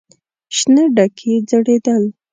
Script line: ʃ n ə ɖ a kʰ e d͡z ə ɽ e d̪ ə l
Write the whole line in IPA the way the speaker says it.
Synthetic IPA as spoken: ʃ n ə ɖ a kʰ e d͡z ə ɽ e d̪ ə l